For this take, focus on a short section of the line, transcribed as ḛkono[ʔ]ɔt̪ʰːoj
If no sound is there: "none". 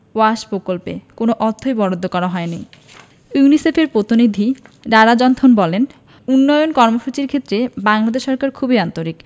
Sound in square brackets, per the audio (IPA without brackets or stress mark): ʔ